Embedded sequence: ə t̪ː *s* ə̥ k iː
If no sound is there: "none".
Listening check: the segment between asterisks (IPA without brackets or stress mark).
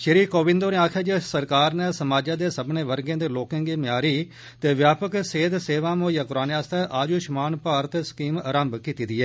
s